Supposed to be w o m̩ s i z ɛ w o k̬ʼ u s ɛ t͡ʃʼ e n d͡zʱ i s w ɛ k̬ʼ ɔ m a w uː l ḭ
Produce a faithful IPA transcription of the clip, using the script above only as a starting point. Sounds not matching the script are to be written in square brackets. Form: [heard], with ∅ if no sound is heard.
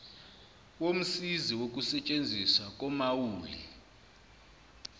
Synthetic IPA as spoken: w o m̩ s i z [i] w o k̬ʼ u s ɛ t͡ʃʼ e n d͡zʱ i s w [a] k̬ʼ ɔ m a w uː l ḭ

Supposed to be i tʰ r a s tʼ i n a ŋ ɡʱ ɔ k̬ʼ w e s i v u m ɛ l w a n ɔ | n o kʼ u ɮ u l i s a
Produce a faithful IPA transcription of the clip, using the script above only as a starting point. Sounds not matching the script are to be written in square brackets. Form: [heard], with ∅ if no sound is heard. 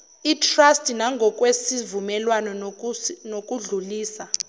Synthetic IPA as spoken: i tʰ r a s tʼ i n a ŋ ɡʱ ɔ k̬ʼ w e s i v u m ɛ l w a n ɔ | n o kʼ u ɮ u l [iː] s a

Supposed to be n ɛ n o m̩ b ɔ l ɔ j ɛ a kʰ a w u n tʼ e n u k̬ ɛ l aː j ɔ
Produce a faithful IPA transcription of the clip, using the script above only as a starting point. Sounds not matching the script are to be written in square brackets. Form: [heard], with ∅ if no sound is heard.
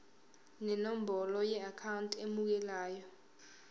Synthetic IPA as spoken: n ɛ n o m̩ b ɔ l ɔ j ɛ a kʰ a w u n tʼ e [m] u k̬ ɛ l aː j ɔ

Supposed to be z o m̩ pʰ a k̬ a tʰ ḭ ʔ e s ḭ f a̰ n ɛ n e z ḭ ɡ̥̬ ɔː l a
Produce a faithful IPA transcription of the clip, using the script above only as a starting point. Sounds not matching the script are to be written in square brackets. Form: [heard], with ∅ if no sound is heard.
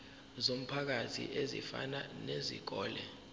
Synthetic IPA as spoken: z o m̩ pʰ a k̬ a tʰ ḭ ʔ e [z] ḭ f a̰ n [a] n e z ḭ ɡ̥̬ ɔː l [ɛ]

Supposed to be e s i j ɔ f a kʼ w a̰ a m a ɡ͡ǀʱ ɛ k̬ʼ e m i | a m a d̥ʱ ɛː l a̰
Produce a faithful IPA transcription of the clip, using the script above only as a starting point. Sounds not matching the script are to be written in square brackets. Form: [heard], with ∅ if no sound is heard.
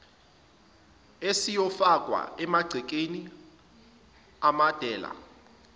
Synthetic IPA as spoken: e s i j ɔ f a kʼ w a̰ [ɛ] m a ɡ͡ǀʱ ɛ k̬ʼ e [n] i | a m a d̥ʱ ɛː l a̰

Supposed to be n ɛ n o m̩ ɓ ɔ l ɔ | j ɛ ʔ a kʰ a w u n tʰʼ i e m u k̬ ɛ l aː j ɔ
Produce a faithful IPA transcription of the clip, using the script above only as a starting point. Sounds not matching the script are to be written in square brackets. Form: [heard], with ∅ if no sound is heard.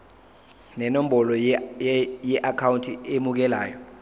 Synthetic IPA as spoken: n ɛ n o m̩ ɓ ɔ l ɔ | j ɛ ʔ a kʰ a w u n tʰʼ i e m u k̬ ɛ l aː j ɔ

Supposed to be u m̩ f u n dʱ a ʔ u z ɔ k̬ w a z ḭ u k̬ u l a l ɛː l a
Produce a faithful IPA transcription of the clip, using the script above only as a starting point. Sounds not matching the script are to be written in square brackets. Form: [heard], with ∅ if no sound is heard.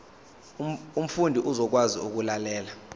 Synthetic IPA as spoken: u m̩ f u n dʱ [i] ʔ u z ɔ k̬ w a z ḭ u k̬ u l a l ɛː l a

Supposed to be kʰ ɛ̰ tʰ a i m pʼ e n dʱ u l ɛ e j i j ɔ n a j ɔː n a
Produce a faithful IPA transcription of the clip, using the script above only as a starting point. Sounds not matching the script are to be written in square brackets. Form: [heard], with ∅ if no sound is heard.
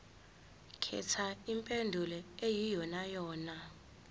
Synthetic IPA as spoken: kʰ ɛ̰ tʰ a i m pʼ e n dʱ u l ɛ e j i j ɔ n a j ɔː n a

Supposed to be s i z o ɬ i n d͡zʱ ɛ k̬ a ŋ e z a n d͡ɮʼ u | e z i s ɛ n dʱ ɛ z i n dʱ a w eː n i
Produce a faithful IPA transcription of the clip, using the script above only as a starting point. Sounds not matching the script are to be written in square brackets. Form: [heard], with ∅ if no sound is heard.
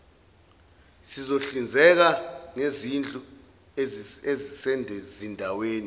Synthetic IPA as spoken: s i z o ɬ i n d͡zʱ ɛ k̬ a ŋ e z [i] n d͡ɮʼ u | e z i s ɛ n dʱ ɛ z i n dʱ a w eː n i

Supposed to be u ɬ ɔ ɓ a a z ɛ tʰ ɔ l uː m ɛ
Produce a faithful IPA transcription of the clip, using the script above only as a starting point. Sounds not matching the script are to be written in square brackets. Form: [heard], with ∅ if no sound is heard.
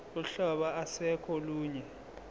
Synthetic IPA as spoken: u ɬ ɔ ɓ a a [s] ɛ [kʰ] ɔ l uː [ɲ] ɛ

